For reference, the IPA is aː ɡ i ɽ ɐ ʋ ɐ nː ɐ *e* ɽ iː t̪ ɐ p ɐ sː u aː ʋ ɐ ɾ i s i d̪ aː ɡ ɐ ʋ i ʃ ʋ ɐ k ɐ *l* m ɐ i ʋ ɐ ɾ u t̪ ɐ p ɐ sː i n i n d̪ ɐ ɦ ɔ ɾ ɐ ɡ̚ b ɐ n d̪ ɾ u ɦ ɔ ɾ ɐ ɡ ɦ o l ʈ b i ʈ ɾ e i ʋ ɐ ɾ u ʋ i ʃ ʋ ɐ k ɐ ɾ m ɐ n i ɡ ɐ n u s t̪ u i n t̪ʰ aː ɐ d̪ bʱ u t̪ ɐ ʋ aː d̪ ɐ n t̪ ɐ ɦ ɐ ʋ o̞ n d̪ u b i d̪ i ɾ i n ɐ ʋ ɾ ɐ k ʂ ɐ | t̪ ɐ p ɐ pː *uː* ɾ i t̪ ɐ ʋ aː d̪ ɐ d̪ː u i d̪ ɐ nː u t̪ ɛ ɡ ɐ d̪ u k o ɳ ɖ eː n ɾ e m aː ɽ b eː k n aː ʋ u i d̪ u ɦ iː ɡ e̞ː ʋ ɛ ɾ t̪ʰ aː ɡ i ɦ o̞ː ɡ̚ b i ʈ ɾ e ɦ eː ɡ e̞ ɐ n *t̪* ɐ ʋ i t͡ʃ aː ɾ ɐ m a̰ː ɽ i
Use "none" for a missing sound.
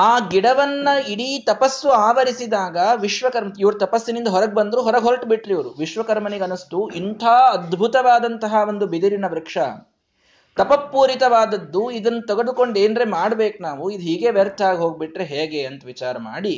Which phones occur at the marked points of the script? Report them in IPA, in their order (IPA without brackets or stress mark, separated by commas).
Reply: i, ɾ, uː, t̪